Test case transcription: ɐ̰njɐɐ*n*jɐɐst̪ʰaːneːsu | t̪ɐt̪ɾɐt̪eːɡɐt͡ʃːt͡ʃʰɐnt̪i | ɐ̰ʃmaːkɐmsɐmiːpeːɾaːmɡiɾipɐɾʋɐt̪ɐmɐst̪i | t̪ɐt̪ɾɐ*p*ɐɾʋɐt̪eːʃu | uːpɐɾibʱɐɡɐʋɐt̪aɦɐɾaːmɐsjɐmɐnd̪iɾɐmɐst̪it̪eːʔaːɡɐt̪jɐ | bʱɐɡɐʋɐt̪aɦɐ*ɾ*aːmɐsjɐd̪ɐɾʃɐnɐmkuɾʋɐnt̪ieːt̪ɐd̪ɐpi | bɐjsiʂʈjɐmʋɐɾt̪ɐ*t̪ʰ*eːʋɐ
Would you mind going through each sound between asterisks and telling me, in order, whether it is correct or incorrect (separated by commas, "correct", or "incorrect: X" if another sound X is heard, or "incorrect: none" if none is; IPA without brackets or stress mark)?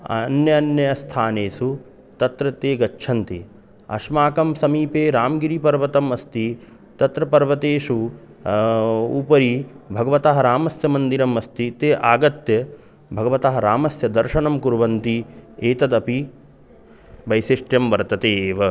correct, correct, correct, incorrect: t̪